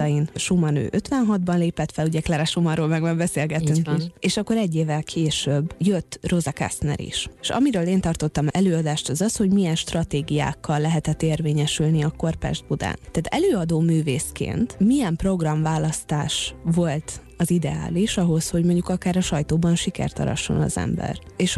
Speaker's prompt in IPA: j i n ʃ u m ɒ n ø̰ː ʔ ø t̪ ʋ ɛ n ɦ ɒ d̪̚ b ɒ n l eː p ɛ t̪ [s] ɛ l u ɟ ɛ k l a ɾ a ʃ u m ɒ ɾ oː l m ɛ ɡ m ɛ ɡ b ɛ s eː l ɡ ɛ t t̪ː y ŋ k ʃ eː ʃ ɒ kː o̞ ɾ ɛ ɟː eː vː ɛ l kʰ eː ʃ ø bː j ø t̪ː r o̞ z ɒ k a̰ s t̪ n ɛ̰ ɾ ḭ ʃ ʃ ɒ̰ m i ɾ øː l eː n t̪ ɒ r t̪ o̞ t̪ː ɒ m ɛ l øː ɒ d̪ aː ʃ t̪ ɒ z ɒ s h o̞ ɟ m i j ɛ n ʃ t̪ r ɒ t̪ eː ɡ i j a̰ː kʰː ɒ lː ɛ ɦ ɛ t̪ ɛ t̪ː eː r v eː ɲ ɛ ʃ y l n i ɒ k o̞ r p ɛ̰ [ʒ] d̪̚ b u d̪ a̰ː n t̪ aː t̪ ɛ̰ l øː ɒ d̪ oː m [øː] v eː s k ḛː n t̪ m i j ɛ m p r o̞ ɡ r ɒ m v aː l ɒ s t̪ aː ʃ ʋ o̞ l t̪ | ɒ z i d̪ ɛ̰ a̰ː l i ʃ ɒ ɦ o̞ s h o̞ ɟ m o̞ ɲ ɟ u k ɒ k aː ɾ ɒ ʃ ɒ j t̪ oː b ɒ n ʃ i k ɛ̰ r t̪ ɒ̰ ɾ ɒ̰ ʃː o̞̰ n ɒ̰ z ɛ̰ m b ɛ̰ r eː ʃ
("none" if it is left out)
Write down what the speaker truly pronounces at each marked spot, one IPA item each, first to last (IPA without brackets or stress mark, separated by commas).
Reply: f, ʒ, yː